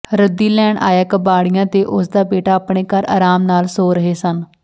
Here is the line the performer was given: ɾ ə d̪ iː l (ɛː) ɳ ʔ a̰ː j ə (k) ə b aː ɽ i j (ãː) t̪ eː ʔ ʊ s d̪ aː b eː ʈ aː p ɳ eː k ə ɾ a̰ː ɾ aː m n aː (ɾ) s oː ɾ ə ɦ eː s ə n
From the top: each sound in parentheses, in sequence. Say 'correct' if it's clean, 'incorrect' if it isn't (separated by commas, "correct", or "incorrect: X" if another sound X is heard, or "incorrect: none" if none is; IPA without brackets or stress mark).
correct, correct, correct, incorrect: l